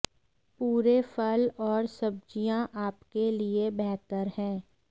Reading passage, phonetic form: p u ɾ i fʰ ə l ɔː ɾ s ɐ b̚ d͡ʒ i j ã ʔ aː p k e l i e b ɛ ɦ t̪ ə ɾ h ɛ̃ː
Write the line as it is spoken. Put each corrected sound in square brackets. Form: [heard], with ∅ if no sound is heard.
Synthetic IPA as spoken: p [uː] ɾ [e] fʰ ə l ɔː ɾ s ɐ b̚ d͡ʒ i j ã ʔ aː p k e l i e b ɛ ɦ t̪ ə ɾ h ɛ̃ː